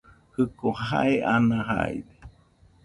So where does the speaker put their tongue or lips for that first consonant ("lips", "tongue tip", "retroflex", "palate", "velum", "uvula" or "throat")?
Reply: throat